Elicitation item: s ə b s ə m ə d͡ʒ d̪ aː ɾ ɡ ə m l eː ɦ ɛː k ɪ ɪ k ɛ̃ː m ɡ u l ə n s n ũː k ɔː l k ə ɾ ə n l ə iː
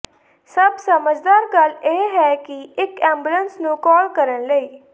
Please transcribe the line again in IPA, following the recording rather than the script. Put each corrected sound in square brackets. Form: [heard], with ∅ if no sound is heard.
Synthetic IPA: s ə b s ə m ə d͡ʒ d̪ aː ɾ ɡ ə [∅] l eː ɦ ɛː k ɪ ɪ k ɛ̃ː m [b] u l ə n s n ũː k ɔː l k ə ɾ ə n l ə iː